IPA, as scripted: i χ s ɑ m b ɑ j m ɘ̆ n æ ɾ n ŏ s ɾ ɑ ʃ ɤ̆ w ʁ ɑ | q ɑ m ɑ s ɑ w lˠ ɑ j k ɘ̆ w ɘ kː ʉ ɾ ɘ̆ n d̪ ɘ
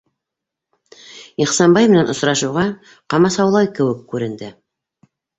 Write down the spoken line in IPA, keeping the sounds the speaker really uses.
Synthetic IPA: i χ s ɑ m b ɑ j m ɘ̆ n æ n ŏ s ɾ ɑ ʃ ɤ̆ w ʁ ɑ | q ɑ m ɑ s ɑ w lˠ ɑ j k ɘ̆ w ɘ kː ʉ ɾ ɘ̆ n d̪ ɘ